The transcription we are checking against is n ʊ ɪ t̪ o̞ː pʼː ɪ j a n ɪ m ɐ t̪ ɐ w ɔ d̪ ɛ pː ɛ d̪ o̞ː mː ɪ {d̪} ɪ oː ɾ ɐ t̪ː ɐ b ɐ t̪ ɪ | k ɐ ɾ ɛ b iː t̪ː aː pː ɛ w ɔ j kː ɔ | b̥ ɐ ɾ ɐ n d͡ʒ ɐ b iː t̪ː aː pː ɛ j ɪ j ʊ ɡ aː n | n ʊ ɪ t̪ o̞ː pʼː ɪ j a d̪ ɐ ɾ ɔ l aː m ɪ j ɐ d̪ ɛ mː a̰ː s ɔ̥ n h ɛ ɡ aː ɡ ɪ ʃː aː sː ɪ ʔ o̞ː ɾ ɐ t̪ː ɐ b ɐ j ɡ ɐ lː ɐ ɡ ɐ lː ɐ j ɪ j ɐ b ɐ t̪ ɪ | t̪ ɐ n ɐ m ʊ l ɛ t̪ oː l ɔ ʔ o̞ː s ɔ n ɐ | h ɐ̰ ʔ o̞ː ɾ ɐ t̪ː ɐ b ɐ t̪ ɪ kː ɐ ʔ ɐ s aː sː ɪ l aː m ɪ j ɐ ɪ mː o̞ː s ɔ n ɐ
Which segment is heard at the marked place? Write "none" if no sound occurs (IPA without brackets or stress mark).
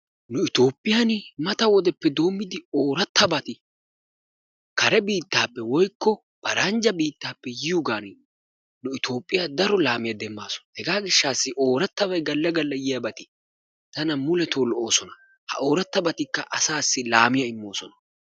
d̪